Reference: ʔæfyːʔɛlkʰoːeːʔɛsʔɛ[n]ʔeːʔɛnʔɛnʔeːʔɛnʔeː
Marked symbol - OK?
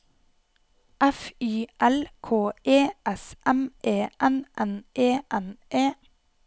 no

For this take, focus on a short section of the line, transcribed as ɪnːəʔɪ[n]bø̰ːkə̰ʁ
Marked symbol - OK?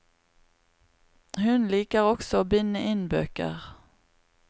yes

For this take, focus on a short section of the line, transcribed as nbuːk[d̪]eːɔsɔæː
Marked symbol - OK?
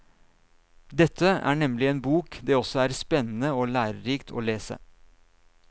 yes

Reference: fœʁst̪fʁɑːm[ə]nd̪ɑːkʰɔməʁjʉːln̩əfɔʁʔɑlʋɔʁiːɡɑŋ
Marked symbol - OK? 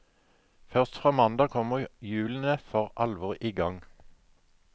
no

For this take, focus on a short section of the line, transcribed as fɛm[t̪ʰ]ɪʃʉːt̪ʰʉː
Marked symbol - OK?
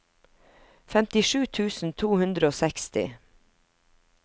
no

